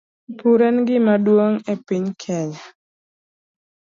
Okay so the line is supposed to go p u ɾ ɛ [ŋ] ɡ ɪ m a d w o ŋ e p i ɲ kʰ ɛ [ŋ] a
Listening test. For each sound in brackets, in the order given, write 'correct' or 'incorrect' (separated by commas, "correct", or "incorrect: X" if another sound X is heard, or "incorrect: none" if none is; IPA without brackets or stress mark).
incorrect: n, incorrect: ɲ